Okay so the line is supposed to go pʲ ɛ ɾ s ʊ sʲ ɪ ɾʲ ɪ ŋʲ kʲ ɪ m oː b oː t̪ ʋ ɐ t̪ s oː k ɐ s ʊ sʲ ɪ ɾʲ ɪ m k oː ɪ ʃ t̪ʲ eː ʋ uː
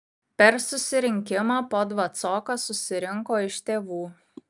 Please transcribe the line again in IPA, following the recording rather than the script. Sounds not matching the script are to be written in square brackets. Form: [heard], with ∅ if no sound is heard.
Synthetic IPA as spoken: pʲ ɛ ɾ s ʊ sʲ ɪ ɾʲ ɪ ŋʲ kʲ ɪ m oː [p] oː [d̪] ʋ ɐ t̪ s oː k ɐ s ʊ sʲ ɪ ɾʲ ɪ [ŋ] k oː ɪ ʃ t̪ʲ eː ʋ uː